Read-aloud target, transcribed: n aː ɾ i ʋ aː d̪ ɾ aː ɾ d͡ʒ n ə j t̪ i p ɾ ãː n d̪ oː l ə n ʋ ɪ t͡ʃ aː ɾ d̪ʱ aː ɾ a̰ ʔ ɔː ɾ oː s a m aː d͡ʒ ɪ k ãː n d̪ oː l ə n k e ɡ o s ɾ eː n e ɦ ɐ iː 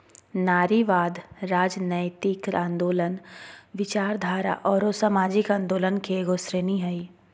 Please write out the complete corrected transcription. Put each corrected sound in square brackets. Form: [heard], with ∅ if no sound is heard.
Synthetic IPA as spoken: n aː ɾ i ʋ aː d̪ ɾ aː [∅] d͡ʒ n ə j t̪ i [k] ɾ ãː n d̪ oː l ə n ʋ ɪ t͡ʃ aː ɾ d̪ʱ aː ɾ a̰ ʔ ɔː ɾ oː s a m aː d͡ʒ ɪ k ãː n d̪ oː l ə n k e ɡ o s ɾ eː n [i] ɦ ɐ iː